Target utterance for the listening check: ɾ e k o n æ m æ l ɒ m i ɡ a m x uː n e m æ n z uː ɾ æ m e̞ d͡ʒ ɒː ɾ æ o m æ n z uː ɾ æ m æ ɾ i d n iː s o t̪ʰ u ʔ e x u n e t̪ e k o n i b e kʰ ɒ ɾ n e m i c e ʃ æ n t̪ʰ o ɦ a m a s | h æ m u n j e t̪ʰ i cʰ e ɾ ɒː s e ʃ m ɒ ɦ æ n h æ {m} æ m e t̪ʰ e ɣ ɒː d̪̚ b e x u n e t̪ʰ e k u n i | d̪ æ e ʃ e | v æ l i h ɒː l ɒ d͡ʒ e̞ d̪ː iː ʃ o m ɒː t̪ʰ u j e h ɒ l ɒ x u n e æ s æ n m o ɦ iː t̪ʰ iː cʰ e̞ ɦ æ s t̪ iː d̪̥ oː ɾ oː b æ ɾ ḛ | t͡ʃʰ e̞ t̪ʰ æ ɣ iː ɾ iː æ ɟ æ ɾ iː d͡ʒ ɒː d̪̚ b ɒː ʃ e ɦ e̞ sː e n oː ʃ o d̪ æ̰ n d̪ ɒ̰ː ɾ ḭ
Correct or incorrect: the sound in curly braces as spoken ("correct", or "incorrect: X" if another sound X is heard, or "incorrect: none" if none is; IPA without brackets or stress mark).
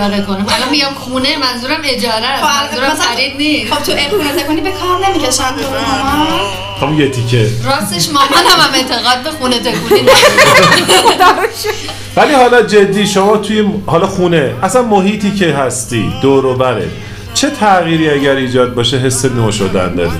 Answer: correct